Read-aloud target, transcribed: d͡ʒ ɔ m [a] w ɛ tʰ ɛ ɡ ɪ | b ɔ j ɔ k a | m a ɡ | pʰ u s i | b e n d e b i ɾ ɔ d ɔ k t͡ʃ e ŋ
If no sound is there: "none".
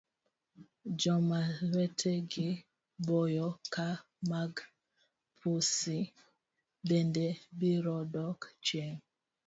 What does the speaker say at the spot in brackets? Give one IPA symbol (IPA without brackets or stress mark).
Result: a